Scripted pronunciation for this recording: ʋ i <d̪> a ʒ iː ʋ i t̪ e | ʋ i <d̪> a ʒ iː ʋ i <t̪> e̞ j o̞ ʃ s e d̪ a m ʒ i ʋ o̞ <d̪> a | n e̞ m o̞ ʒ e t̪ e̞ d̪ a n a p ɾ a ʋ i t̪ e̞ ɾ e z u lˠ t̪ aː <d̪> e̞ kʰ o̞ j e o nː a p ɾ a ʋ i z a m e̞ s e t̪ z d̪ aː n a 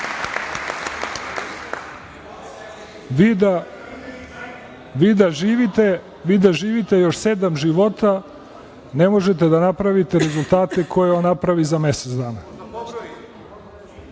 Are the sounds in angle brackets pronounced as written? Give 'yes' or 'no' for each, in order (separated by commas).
yes, yes, yes, no, no